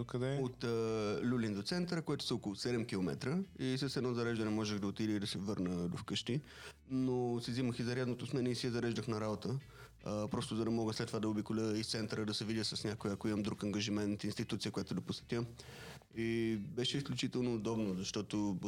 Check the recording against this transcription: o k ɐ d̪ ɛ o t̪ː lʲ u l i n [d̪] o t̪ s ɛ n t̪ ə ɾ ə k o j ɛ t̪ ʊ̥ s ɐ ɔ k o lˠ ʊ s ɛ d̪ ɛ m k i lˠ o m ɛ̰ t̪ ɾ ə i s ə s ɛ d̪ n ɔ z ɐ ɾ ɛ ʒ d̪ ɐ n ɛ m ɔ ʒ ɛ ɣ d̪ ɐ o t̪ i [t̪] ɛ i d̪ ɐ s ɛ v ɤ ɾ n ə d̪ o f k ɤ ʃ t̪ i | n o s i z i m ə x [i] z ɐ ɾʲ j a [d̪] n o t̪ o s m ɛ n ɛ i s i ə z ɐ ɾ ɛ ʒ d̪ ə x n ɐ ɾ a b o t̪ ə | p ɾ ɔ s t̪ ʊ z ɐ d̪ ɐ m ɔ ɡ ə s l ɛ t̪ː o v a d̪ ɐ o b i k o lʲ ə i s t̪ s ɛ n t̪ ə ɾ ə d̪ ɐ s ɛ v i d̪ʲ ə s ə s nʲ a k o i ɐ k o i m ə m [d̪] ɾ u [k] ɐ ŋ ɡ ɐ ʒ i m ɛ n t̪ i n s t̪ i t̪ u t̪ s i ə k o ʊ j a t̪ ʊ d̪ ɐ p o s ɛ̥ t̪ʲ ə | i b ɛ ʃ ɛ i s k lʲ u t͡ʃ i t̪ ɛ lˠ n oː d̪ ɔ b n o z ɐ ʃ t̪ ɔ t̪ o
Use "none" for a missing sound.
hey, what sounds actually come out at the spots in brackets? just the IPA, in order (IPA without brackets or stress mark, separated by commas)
d̪, d̪, i, d̪, d̪, k